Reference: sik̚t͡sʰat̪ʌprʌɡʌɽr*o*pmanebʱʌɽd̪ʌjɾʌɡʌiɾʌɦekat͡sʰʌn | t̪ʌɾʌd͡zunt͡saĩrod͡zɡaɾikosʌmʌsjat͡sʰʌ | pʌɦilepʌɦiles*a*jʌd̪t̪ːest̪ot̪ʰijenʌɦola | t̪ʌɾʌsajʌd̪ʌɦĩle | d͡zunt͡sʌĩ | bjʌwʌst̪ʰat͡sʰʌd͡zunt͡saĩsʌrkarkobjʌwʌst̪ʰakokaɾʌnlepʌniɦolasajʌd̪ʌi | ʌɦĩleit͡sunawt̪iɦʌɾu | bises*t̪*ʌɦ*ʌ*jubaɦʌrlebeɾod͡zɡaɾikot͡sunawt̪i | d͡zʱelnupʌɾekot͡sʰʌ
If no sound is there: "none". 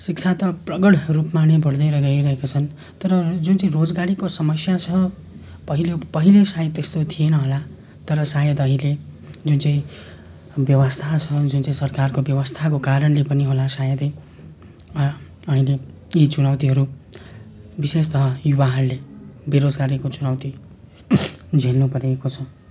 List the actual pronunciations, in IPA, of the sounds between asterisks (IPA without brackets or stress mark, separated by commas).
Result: u, a, t̪, ʌ